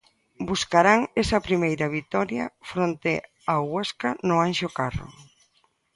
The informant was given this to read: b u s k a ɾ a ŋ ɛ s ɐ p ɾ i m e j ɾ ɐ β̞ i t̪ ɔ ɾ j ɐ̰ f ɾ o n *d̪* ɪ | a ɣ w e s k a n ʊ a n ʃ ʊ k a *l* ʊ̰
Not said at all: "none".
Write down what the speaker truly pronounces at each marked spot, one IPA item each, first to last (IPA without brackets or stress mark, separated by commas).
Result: t̪, r